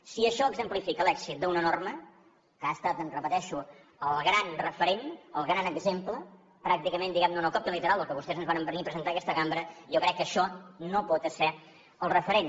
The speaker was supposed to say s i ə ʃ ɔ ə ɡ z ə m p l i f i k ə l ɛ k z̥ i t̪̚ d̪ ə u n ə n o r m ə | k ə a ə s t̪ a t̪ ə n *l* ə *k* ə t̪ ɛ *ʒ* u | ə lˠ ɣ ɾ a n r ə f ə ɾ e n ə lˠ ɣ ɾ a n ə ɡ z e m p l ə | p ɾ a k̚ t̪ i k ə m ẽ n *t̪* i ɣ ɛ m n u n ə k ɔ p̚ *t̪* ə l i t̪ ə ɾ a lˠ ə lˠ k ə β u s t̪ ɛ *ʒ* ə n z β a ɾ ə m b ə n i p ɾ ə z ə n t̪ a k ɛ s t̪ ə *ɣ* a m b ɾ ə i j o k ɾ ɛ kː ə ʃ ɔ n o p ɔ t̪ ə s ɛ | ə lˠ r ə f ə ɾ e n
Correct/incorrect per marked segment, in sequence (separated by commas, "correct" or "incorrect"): incorrect, incorrect, incorrect, incorrect, correct, incorrect, correct